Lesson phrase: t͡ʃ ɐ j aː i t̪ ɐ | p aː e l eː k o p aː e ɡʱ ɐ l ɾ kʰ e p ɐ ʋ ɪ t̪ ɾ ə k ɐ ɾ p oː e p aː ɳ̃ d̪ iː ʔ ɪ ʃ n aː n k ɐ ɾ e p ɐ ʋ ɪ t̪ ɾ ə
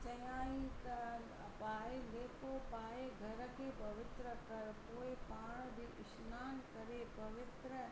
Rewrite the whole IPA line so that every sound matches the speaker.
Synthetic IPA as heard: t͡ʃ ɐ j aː i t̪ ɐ | p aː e l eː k o p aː e ɡʱ ɐ ɾ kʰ e p ɐ ʋ ɪ t̪ ɾ ə k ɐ ɾ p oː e p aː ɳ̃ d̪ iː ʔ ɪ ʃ n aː n k ɐ ɾ e p ɐ ʋ ɪ t̪ ɾ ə